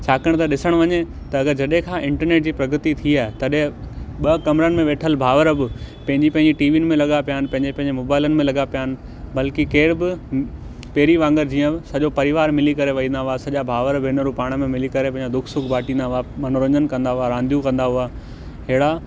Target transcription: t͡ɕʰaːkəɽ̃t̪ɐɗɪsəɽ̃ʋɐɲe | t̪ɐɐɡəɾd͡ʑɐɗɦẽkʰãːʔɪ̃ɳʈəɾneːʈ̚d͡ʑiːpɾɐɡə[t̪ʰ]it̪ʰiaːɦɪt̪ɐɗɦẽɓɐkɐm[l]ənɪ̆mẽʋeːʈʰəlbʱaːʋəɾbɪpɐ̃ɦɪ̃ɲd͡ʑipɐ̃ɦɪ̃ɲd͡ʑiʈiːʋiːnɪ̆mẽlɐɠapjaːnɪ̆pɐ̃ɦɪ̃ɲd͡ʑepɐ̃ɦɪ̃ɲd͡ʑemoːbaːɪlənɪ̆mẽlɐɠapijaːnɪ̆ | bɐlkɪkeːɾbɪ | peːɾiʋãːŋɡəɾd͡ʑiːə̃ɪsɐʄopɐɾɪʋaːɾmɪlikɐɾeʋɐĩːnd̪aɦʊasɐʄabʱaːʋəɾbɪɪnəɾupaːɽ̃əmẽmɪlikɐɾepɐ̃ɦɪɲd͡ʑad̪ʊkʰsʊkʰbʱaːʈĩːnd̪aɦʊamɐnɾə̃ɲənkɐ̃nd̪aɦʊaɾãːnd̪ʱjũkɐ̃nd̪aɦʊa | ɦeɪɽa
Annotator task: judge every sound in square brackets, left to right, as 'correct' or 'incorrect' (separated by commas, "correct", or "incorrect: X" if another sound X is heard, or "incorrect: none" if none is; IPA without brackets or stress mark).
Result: incorrect: t̪, incorrect: ɾ